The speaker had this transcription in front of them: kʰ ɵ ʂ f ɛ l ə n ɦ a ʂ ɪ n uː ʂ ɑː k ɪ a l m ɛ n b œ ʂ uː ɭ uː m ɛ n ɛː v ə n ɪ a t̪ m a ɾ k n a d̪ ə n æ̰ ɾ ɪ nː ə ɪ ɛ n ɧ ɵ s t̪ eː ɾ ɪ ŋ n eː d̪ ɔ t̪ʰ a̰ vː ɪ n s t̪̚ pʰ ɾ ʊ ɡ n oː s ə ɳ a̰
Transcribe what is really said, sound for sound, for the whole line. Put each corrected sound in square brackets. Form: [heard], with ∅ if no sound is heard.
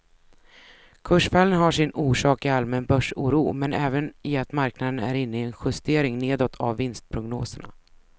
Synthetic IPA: kʰ ɵ ʂ f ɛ l ə n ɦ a ʂ ɪ n uː ʂ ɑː k ɪ a l m ɛ n b œ ʂ uː [ɾ] uː m ɛ n ɛː v ə n ɪ a t̪ m a ɾ k n a d̪ ə n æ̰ ɾ ɪ nː ə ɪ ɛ n ɧ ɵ s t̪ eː ɾ ɪ ŋ n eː d̪ ɔ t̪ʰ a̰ vː ɪ n s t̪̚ pʰ ɾ ʊ ɡ n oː s ə ɳ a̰